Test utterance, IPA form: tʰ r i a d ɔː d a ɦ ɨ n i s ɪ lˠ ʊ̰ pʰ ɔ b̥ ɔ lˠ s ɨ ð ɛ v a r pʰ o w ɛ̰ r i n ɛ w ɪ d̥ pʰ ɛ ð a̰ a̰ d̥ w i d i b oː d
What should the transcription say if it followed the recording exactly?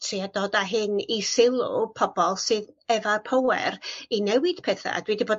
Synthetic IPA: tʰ r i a d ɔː d a ɦ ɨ n i s ɪ lˠ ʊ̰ pʰ ɔ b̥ ɔ lˠ s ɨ ð ɛ v a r pʰ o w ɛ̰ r i n ɛ w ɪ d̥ pʰ ɛ θ a̰ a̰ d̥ w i d i b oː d